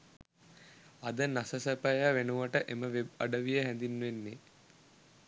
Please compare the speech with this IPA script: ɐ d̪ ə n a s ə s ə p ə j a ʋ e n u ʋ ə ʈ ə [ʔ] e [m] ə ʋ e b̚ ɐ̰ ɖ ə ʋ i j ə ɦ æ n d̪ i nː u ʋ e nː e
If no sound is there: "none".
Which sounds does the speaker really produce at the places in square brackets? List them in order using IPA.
ʔ, m

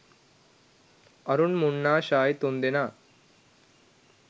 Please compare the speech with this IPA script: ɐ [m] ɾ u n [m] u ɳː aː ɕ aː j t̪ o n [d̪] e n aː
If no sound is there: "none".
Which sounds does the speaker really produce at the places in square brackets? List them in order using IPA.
none, m, d̪

